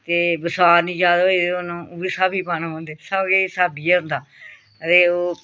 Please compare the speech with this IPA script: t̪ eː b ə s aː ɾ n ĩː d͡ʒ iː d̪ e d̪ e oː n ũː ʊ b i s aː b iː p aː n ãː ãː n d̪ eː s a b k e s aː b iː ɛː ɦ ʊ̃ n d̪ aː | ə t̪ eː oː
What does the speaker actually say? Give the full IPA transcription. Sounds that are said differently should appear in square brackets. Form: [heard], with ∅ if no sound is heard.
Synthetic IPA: t̪ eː b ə s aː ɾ n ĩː d͡ʒ [aː] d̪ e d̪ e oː n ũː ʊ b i s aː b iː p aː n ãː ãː n d̪ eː s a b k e s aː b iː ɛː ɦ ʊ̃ n d̪ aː | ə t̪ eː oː